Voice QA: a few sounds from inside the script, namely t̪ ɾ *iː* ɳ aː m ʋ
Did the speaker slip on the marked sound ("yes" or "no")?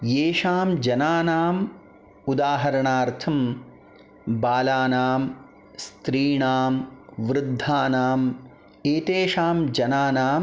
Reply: no